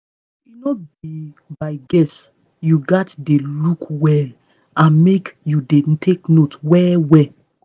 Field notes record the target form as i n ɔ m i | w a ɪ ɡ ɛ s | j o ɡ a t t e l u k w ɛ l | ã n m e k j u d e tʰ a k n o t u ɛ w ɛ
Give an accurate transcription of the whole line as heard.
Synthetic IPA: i n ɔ b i | b a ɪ ɡ ɛ s | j u ɡ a t d e l u k w ɛ l | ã n m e k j u d e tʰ e k n o t w ɛ w ɛ

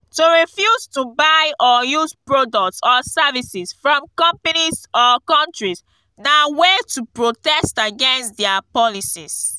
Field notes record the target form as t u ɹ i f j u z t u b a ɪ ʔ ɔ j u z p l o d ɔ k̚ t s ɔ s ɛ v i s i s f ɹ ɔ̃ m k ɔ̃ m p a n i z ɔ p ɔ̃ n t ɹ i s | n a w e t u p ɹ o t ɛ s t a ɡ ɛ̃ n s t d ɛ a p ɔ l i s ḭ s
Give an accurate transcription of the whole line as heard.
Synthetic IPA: t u ɹ i f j u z t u b a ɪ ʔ ɔ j u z p ɹ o d ɔ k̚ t s ɔ s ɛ v i s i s f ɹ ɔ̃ m k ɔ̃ m p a n i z ɔ k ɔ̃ n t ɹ i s | n a w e t u p ɹ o t ɛ s t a ɡ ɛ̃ n s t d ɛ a p ɔ l i s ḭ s

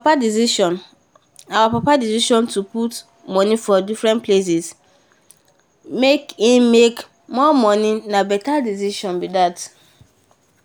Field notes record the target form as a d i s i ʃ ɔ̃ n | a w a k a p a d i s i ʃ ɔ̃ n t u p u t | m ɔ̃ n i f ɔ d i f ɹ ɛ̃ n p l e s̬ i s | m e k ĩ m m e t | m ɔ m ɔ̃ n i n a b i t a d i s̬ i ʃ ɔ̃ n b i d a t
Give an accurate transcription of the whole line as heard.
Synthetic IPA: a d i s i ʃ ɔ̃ n | a w a p a p a d i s i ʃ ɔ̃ n t u p u t | m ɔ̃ n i f ɔ d i f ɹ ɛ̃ n p l e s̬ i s | m e k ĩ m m e k | m ɔ m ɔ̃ n i n a b ɛ t a d i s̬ i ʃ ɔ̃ n b i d a t

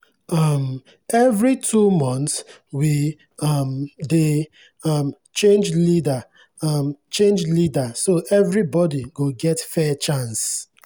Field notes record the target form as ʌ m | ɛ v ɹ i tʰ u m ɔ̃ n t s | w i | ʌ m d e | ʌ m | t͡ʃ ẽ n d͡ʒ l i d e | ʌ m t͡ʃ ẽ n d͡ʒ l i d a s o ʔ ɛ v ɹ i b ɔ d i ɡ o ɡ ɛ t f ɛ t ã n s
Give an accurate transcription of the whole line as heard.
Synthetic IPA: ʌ m | ɛ v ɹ i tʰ u m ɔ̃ n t s | w i | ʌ m d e | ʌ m | t͡ʃ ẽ n d͡ʒ l i d a | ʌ m t͡ʃ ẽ n d͡ʒ l i d a s o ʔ ɛ v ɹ i b ɔ d i ɡ o ɡ ɛ t f ɛ t͡ʃ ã n s

